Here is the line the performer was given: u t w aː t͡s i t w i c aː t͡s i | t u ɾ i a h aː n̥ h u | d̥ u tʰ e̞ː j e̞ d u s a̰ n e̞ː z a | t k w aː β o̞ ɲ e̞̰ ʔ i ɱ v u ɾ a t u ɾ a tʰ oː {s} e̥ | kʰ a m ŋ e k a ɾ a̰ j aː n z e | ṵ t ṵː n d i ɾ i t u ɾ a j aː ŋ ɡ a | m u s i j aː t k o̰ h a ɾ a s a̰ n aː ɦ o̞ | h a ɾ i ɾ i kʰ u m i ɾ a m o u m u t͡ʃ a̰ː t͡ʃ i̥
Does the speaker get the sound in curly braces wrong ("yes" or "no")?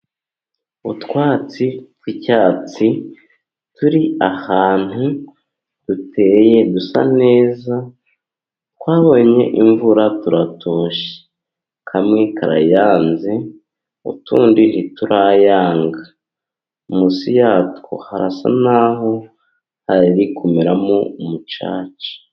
yes